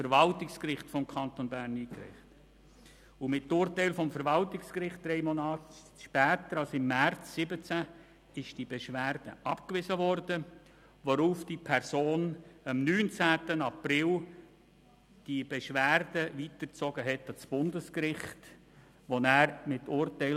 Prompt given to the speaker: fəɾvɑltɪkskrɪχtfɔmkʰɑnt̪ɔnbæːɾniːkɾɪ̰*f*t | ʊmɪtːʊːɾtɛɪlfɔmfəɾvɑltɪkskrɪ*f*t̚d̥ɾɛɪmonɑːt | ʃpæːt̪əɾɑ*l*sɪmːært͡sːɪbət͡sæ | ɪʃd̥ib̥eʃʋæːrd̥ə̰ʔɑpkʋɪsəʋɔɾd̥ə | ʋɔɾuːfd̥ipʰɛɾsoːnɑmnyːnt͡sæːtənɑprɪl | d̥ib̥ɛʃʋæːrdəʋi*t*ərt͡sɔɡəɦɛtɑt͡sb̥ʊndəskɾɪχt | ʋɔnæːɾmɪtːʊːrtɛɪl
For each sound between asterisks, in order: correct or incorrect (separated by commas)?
incorrect, incorrect, correct, correct